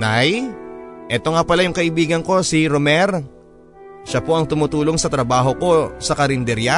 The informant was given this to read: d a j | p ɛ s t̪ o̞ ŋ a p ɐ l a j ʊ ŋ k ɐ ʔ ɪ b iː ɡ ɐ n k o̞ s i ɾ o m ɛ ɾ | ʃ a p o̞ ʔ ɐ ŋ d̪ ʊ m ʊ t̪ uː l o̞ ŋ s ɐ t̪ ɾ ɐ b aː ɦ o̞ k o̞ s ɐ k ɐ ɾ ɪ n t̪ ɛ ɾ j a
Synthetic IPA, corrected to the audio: n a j | ʔ ɛ t̪ o̞ ŋ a p ɐ l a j ʊ ŋ k ɐ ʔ ɪ b iː ɡ ɐ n k o̞ s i ɾ o m ɛ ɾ | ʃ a p o̞ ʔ ɐ ŋ t̪ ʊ m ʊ t̪ uː l o̞ ŋ s ɐ t̪ ɾ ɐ b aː ɦ o̞ k o̞ s ɐ k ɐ ɾ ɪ n d̪ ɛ ɾ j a